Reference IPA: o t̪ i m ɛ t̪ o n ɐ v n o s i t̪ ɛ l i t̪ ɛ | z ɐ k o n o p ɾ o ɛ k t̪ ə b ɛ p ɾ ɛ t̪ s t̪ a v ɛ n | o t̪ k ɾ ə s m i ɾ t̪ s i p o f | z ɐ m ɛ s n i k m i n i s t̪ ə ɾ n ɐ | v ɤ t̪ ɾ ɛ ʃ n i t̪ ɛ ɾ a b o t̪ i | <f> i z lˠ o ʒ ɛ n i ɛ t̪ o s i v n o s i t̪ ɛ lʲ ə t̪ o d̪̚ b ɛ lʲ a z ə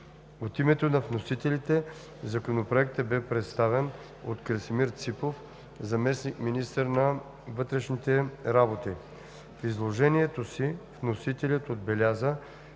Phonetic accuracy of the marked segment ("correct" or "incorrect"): correct